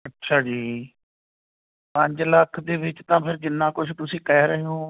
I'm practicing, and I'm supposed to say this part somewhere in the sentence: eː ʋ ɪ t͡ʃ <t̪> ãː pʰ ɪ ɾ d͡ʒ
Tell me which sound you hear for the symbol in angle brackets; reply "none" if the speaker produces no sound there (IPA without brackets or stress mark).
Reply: t̪